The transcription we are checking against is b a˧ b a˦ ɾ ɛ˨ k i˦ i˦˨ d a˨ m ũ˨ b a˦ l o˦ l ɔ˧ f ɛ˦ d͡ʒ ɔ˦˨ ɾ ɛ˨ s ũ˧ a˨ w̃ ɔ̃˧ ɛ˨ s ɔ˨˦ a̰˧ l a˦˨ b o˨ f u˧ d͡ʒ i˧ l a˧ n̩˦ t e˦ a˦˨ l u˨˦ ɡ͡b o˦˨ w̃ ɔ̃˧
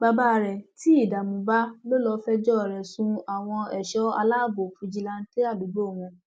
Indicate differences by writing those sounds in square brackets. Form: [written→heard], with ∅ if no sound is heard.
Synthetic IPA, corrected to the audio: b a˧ b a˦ ɾ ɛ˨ [k→t] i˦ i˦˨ d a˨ m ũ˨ b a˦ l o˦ l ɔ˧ f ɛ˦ d͡ʒ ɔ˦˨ ɾ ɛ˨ s ũ˧ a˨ w̃ ɔ̃˧ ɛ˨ [s→ʃ] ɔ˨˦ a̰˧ l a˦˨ b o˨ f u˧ d͡ʒ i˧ l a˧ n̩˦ t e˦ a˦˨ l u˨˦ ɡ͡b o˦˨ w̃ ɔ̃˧